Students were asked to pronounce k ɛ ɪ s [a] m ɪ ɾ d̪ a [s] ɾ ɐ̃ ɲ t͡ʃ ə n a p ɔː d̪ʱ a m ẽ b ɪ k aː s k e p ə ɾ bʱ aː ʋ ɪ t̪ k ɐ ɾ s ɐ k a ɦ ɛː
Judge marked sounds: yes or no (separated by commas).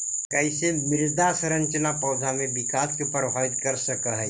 no, yes